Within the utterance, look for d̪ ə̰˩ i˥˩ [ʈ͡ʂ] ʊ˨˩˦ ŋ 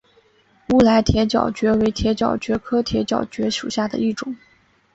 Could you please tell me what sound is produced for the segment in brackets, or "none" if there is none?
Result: ʈ͡ʂ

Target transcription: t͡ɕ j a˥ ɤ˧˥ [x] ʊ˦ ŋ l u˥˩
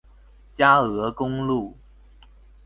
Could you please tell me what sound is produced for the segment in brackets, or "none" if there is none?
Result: k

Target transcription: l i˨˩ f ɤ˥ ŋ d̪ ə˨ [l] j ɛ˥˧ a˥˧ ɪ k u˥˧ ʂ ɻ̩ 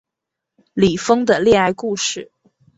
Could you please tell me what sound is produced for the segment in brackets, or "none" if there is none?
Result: l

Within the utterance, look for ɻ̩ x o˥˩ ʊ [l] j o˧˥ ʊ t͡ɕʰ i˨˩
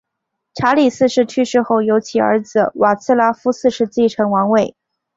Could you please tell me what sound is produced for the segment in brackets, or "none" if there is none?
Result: none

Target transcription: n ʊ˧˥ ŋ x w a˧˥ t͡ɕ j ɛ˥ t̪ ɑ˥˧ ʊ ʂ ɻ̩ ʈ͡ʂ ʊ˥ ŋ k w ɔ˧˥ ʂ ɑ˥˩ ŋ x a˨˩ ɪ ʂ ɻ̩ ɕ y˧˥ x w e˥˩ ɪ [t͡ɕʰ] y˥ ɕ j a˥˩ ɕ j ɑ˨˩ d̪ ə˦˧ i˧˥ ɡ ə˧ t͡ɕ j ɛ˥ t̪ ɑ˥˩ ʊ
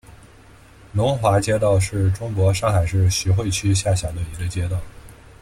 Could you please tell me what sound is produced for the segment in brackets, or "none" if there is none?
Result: t͡ɕʰ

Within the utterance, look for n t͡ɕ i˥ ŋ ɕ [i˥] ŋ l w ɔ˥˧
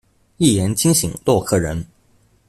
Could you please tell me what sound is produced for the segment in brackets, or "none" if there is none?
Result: i˨˩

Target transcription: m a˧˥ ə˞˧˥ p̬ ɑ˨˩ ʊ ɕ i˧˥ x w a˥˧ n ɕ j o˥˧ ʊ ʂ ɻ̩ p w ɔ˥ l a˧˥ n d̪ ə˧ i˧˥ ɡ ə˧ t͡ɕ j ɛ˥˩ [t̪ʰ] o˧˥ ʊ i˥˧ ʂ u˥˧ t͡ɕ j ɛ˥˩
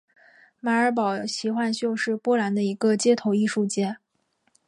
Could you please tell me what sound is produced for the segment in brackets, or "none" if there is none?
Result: t̪ʰ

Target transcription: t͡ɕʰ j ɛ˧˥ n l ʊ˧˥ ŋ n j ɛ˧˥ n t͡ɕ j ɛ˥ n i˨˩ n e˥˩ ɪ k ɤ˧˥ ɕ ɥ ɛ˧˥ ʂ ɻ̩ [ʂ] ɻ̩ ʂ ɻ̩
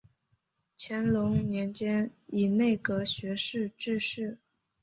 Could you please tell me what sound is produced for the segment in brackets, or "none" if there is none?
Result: ʈ͡ʂ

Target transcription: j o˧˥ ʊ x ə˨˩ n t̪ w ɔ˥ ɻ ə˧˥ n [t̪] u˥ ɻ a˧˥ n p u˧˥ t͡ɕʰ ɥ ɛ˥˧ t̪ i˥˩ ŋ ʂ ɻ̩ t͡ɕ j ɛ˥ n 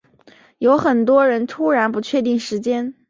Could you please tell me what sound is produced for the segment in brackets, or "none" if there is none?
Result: t̪ʰ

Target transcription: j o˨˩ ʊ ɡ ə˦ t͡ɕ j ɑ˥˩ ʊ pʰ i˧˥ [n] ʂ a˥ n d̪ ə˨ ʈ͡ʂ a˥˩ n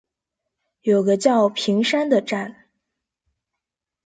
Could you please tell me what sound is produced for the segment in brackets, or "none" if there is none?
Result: ŋ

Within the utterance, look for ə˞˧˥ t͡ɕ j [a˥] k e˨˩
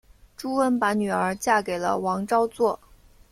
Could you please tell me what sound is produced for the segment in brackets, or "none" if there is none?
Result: a˥˩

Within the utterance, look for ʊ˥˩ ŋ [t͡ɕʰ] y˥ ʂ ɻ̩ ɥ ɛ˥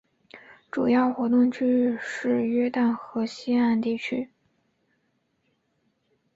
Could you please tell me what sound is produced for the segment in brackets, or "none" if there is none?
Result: t͡ɕʰ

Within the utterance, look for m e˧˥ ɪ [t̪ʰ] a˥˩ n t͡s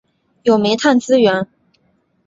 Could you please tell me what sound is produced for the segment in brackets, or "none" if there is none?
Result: t̪ʰ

